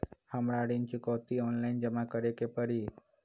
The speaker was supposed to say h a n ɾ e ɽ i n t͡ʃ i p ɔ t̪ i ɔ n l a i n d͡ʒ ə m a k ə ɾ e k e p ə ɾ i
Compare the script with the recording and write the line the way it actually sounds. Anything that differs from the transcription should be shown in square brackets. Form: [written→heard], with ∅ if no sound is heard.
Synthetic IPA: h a [n→m] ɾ [e→a] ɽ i n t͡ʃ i [p→k] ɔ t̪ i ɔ n l a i n d͡ʒ ə m a k ə ɾ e k e p ə ɾ i